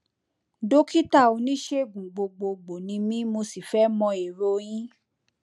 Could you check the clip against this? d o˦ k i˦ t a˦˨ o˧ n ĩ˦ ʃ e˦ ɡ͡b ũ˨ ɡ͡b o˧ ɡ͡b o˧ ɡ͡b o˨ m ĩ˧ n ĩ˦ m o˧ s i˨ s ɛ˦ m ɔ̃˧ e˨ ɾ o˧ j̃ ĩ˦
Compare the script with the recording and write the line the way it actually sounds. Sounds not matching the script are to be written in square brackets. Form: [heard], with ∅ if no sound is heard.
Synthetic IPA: d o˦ k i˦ t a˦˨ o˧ n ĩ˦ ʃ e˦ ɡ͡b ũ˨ ɡ͡b o˧ ɡ͡b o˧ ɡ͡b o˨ [n] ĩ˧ [m] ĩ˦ m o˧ s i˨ [f] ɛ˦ m ɔ̃˧ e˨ ɾ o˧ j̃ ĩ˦